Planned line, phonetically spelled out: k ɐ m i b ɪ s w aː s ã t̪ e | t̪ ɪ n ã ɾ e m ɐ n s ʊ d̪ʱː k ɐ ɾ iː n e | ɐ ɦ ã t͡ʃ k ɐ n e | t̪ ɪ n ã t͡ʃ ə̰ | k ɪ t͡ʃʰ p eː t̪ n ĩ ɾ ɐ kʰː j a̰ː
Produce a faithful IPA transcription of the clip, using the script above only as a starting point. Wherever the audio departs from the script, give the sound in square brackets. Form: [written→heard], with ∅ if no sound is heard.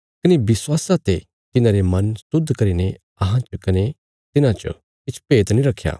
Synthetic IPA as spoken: k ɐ [m→n] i b ɪ s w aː s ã t̪ e | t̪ ɪ n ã ɾ e m ɐ n s ʊ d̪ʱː k ɐ ɾ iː n e | ɐ ɦ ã t͡ʃ k ɐ n e | t̪ ɪ n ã t͡ʃ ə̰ | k ɪ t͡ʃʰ p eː t̪ n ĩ ɾ ɐ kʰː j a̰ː